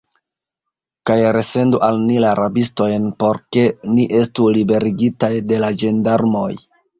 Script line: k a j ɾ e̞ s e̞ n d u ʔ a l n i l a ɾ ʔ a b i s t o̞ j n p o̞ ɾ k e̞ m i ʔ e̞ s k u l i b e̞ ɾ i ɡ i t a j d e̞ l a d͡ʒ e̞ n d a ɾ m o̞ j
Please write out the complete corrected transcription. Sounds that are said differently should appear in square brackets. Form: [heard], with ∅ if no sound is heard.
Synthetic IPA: k a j ɾ e̞ s e̞ n d u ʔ a l n i l a ɾ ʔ a b i s t o̞ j n p o̞ ɾ k e̞ [n] i ʔ e̞ s [t] u l i b e̞ ɾ i ɡ i t a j d e̞ l a d͡ʒ e̞ n d a ɾ m o̞ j